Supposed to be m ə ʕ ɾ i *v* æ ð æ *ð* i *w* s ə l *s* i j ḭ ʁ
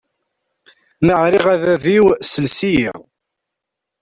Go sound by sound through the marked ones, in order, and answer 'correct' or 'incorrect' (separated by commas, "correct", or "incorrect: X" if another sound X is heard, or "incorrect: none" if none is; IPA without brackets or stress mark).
incorrect: ʁ, correct, correct, correct